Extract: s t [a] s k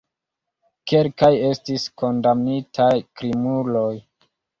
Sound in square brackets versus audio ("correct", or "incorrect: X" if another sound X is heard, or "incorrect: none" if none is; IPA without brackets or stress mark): incorrect: i